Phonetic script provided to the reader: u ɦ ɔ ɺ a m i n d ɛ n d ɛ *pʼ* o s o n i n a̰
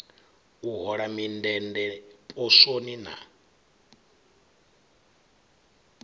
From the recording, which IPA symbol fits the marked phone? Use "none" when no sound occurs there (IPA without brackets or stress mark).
pʼ